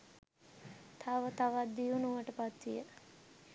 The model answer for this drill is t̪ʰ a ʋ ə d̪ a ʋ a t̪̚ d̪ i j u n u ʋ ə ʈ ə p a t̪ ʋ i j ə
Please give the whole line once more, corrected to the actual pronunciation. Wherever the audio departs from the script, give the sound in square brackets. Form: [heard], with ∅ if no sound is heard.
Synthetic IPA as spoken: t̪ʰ a ʋ ə [t̪] a ʋ a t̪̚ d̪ i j u n u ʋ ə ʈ ə p a t̪ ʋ i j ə